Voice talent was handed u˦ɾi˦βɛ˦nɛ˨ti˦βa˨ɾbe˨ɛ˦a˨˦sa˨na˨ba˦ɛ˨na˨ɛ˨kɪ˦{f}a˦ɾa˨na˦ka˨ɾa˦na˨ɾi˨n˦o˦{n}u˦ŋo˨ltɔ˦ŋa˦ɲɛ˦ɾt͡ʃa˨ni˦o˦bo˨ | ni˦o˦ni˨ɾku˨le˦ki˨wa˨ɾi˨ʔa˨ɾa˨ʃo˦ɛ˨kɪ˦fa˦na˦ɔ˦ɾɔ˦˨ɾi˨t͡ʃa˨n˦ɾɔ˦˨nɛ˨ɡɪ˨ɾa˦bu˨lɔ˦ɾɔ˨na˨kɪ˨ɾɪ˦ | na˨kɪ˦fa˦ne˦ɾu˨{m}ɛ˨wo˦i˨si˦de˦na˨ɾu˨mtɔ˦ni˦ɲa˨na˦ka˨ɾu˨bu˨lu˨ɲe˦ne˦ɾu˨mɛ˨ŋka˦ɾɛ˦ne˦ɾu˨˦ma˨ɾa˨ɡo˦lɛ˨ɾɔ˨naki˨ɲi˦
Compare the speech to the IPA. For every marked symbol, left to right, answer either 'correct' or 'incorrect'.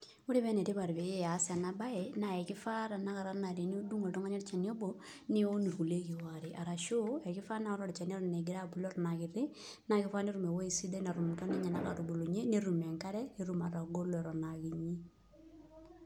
correct, incorrect, correct

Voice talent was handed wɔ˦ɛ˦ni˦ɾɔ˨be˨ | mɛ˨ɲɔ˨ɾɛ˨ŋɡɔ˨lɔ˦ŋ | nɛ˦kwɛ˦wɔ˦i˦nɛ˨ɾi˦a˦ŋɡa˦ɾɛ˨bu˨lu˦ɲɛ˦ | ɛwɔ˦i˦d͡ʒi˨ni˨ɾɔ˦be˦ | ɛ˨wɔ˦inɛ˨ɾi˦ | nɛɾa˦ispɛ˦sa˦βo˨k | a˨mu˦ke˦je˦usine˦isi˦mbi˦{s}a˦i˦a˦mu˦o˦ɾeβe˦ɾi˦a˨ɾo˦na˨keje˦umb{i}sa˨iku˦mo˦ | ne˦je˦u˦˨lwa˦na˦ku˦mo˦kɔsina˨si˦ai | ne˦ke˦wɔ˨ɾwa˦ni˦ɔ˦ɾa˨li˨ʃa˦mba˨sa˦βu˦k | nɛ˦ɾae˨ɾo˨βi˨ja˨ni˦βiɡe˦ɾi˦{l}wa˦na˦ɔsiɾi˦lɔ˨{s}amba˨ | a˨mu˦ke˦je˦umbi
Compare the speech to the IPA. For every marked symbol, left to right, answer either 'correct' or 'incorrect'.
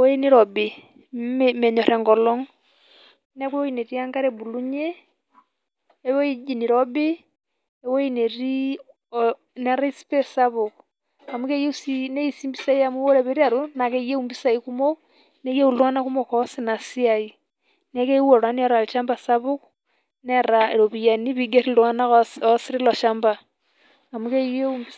correct, correct, correct, incorrect

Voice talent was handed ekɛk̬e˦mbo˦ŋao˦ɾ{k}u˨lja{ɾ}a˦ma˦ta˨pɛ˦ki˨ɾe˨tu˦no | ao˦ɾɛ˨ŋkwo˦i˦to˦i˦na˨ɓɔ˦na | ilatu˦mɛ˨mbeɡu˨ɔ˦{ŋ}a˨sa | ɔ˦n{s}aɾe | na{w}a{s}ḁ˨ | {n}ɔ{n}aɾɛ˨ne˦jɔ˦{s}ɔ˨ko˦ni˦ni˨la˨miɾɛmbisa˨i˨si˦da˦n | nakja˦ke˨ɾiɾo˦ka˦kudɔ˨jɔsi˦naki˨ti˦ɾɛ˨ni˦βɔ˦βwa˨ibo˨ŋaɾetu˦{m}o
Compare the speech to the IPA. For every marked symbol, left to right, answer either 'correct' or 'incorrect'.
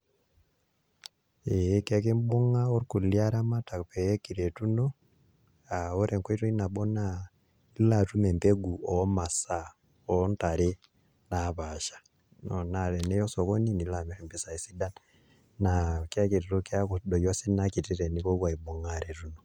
correct, correct, incorrect, incorrect, incorrect, incorrect, correct, correct, correct, incorrect

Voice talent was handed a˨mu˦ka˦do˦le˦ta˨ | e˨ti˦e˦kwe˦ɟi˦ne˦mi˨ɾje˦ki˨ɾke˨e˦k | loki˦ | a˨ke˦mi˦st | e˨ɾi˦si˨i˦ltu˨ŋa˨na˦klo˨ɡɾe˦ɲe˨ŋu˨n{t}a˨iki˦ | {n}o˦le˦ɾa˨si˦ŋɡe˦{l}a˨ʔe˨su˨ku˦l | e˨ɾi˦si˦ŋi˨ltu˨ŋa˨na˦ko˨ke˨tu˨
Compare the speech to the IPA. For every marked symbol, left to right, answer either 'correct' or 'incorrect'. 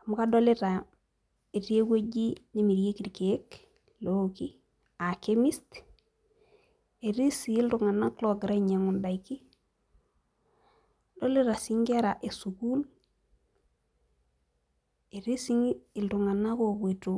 incorrect, incorrect, incorrect

